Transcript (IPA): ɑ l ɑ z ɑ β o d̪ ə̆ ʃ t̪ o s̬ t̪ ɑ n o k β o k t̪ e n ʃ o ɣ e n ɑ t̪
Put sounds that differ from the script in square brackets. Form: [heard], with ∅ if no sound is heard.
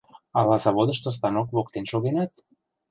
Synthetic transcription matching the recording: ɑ l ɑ z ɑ β o d̪ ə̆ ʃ t̪ o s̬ t̪ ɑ n o k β o k t̪ e n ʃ o ɣ e n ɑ t̪